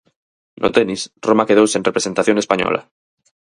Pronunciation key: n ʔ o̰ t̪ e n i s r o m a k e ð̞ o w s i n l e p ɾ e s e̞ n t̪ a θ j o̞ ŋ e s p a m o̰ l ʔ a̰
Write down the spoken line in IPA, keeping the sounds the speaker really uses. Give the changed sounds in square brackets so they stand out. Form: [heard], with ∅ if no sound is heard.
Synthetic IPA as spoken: n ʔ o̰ t̪ e n i s r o m a k e ð̞ o w s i n [r] e p ɾ e s e̞ n t̪ a θ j o̞ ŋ e s p a [ɲ] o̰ l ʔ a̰